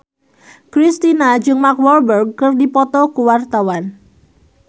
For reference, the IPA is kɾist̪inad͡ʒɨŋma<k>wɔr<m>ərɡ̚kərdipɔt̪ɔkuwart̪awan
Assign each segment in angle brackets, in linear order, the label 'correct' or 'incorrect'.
correct, incorrect: b

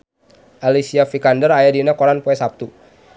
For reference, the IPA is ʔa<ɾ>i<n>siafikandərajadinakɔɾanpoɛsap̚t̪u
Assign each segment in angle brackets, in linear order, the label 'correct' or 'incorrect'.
incorrect: l, incorrect: none

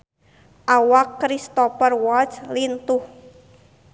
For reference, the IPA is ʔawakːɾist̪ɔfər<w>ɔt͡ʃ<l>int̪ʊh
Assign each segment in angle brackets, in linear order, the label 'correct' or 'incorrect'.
correct, correct

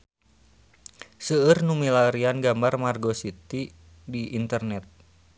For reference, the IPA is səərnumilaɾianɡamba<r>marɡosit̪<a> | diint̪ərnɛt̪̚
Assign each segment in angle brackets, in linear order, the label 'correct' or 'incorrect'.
correct, incorrect: i

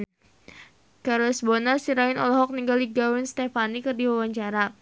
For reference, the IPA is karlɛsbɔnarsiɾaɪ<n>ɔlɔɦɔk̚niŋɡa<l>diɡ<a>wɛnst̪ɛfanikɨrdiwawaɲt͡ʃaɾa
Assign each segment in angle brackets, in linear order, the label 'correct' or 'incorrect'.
correct, correct, correct

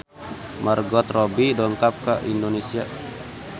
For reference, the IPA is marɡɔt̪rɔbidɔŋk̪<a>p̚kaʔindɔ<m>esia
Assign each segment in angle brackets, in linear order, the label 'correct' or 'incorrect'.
correct, incorrect: n

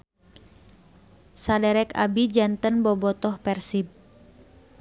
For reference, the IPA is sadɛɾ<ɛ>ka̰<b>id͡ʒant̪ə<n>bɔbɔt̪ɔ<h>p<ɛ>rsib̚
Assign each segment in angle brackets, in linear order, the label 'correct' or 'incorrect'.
correct, correct, correct, correct, correct

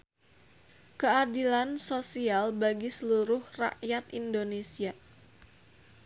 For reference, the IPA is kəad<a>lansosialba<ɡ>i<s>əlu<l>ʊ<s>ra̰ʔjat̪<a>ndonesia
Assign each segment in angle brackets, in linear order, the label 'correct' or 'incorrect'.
incorrect: i, correct, correct, incorrect: ɾ, incorrect: h, incorrect: i

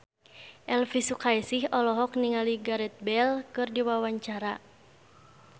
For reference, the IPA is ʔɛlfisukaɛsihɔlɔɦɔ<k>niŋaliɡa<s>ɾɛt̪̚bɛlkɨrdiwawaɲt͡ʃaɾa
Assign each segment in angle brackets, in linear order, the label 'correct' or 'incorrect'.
correct, incorrect: none

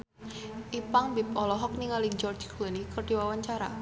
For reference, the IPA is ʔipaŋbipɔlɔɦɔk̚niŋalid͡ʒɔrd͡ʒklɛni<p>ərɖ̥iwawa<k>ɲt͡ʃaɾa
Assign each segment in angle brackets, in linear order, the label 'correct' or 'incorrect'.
incorrect: k, incorrect: none

